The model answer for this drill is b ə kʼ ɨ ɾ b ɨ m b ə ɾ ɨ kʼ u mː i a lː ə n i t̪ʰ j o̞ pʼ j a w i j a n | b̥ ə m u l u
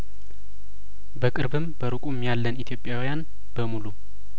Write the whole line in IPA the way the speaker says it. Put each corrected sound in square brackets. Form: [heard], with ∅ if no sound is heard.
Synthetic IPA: b ə kʼ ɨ ɾ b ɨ m b ə ɾ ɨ kʼ u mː [j] a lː ə n i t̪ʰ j o̞ pʼ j a w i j a n | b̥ ə m u l u